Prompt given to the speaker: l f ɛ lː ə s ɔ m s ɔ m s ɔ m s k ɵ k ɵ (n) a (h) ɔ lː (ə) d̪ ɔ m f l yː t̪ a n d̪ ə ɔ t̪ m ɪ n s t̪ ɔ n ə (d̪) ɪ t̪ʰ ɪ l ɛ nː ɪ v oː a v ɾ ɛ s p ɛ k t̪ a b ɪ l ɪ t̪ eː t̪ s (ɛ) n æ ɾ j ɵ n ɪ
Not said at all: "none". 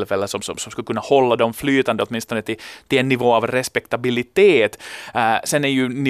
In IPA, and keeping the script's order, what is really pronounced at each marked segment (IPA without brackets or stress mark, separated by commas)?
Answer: nː, h, a, t̪, ɛ